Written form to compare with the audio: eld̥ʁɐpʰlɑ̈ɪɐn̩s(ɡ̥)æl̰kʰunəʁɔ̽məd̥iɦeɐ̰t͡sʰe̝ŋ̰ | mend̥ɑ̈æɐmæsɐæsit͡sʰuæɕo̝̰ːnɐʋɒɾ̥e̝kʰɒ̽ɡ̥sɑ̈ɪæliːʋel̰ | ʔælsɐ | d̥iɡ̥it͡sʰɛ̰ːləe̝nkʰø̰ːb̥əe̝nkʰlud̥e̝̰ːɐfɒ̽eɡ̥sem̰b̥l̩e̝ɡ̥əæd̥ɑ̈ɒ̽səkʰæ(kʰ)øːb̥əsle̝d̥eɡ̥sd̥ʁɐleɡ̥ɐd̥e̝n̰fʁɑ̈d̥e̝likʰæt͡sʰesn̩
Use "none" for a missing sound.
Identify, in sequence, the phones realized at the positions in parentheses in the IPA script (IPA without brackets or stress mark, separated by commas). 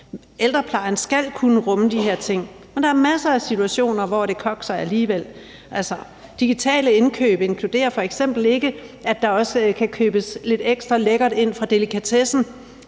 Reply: ɡ̥, kʰ